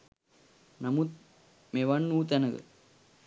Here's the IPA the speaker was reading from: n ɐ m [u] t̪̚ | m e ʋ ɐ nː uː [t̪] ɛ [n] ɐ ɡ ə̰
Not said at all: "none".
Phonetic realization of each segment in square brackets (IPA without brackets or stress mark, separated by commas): u, t̪, n